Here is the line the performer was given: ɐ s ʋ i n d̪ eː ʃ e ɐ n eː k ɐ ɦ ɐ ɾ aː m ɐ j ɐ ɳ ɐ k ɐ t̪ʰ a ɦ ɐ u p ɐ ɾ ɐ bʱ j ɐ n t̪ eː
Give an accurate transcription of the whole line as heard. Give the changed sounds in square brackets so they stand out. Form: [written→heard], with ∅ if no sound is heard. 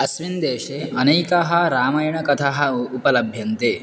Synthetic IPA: ɐ s ʋ i n d̪ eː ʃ e ɐ n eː k ɐ ɦ ɐ ɾ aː m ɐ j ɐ ɳ ɐ k ɐ t̪ʰ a ɦ ɐ u p ɐ [ɾ→l] ɐ bʱ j ɐ n t̪ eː